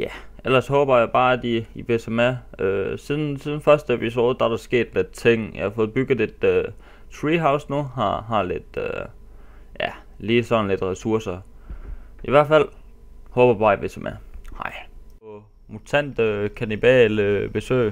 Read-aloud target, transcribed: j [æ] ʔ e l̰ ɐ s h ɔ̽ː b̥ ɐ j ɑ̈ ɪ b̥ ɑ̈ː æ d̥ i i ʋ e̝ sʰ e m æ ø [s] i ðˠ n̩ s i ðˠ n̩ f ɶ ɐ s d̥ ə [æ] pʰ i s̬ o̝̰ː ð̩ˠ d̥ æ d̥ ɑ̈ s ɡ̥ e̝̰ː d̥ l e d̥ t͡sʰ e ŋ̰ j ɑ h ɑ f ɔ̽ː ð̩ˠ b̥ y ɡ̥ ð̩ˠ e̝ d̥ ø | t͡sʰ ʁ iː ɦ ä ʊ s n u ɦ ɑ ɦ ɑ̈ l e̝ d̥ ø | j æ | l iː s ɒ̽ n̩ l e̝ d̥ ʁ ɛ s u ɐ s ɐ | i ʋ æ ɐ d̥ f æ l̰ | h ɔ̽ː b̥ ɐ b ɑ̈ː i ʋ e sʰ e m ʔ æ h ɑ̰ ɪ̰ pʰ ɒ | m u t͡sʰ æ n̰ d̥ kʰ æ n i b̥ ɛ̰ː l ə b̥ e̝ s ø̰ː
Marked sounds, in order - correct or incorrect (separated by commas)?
correct, correct, incorrect